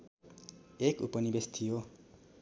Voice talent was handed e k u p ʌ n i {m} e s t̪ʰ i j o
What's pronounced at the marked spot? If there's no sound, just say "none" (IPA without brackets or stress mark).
b